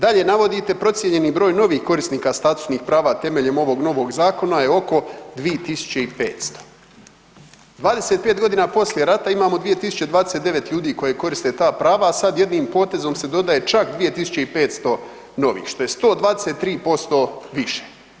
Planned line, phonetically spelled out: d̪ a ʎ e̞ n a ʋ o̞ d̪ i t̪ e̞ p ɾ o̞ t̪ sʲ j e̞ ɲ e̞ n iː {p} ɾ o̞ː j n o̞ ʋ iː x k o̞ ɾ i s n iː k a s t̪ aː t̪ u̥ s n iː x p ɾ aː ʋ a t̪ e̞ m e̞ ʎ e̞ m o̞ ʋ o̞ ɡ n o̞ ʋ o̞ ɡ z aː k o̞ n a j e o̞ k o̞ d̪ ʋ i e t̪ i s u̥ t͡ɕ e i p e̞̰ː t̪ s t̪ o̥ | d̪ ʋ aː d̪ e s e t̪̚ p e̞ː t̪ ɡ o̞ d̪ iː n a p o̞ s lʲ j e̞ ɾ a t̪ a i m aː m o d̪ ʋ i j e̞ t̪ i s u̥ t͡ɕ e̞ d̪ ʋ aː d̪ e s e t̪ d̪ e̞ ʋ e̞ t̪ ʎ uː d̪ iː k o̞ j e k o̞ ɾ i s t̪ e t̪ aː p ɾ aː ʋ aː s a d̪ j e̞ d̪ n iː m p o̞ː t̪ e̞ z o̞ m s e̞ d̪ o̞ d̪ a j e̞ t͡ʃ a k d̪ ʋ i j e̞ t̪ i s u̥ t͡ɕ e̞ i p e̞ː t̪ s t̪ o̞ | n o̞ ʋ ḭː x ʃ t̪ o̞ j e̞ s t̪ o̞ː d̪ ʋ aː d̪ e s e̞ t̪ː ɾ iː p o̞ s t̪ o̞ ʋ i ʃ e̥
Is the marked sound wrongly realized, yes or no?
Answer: yes